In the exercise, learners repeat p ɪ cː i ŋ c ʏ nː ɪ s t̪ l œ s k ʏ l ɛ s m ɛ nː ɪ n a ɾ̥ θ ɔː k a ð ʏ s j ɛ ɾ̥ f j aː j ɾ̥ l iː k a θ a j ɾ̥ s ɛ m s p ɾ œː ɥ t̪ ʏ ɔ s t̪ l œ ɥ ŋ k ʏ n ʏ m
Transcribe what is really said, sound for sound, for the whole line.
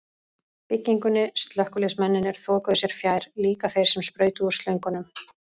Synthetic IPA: p ɪ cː i ŋ k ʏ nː ɪ s t̪ l œ h k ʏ l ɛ s m ɛ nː ɪ n ɛ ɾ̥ θ ɔː k a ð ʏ s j ɛ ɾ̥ f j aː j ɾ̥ l iː k a θ e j ɾ̥ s ɛ m s p ɾ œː ɥ t̪ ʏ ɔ s t̪ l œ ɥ ŋ k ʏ n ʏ m